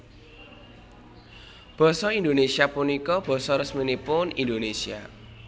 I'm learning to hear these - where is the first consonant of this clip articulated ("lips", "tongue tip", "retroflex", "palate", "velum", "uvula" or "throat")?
lips